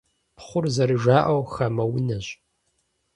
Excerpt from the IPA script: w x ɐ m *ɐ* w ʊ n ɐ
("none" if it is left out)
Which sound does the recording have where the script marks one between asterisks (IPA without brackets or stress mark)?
ɐ